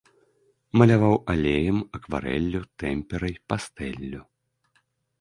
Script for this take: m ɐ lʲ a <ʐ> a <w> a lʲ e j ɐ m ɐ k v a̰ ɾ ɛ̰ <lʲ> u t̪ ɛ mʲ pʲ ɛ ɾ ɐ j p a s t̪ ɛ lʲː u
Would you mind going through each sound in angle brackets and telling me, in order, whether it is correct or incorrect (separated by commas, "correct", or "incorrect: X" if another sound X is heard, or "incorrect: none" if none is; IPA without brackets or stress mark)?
incorrect: v, correct, incorrect: lʲː